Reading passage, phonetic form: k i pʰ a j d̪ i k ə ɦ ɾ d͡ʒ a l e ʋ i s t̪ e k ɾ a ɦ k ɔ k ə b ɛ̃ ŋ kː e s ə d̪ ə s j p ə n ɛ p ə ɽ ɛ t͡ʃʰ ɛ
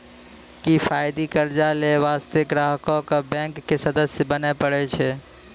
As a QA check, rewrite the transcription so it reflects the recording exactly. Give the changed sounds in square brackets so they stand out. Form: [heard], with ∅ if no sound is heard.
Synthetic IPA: k i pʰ a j d̪ i k ə [∅] ɾ d͡ʒ a l e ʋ [a] s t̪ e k ɾ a ɦ k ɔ k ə b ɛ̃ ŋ kː e s ə d̪ ə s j [b] ə n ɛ p ə ɽ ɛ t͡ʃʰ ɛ